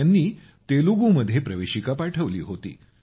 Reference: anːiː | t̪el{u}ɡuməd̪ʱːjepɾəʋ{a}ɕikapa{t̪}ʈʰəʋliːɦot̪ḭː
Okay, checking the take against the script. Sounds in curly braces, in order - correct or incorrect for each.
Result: correct, incorrect: e, incorrect: none

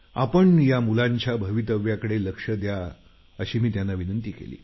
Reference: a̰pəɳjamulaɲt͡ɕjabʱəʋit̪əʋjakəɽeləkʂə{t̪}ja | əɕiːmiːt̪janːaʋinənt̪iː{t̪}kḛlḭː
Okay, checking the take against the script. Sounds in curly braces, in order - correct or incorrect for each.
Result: incorrect: d̪, incorrect: none

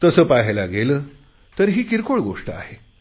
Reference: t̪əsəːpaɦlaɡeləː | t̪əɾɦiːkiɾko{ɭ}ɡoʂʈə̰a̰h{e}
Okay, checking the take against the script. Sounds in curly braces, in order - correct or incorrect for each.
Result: correct, correct

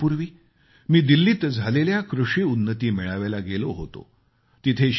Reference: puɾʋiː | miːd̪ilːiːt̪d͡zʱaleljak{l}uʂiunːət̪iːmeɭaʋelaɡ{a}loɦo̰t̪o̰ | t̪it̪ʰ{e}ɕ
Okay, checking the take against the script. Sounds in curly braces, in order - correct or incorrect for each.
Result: incorrect: ɾ, incorrect: e, correct

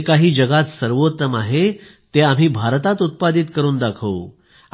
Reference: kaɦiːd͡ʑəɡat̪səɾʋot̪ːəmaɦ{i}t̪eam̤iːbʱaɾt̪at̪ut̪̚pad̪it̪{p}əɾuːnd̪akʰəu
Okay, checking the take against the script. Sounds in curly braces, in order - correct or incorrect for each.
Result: incorrect: e, incorrect: k

